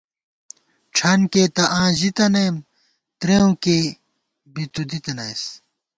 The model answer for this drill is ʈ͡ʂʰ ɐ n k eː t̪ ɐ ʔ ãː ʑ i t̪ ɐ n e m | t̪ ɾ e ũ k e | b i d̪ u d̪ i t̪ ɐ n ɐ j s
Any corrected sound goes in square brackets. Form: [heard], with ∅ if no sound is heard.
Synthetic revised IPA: ʈ͡ʂʰ ɐ n k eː t̪ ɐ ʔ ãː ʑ i t̪ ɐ n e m | t̪ ɾ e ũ k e | b i [t̪] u d̪ i t̪ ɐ n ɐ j s